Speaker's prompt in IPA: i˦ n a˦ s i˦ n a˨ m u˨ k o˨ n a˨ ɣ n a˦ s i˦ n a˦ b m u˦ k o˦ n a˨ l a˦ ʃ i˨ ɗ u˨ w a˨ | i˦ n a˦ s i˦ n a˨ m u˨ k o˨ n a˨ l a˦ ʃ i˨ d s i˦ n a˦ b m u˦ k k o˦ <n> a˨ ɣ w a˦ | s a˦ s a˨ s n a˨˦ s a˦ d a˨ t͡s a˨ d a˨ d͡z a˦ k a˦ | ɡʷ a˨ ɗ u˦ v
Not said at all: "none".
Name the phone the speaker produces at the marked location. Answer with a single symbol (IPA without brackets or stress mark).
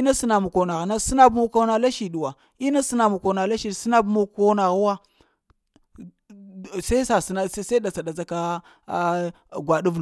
n